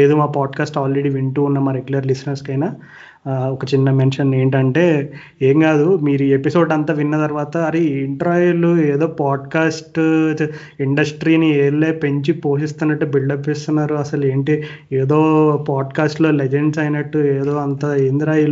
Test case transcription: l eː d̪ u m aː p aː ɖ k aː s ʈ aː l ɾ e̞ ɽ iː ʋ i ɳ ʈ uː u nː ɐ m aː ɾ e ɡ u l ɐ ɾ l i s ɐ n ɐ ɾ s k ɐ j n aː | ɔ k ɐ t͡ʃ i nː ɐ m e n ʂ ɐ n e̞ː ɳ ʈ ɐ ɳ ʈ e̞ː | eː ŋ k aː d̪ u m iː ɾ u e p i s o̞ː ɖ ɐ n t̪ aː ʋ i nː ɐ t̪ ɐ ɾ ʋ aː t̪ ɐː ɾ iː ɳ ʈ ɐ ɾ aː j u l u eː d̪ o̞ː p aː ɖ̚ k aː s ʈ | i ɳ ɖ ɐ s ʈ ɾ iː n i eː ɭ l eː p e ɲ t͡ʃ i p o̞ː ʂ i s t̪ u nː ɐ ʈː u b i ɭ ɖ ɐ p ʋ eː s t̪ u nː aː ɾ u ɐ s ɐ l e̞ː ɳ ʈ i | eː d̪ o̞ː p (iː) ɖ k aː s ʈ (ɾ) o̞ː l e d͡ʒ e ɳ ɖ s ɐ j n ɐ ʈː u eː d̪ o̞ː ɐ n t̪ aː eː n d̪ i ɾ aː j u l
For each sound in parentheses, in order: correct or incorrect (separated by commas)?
incorrect, incorrect